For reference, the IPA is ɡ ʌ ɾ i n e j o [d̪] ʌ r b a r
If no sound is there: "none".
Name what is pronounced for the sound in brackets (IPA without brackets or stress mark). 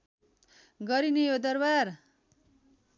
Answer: d̪